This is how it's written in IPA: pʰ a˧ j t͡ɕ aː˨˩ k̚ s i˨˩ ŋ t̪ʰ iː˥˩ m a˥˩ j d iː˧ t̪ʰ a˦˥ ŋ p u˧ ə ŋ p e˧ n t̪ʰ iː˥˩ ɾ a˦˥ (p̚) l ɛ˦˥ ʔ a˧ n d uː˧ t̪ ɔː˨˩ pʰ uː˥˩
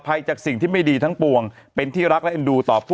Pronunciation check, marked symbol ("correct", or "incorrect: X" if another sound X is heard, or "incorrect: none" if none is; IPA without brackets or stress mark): incorrect: k̚